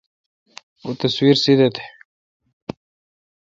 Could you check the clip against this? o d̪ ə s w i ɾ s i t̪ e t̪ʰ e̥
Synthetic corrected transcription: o t̪ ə s w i ɾ s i d̪ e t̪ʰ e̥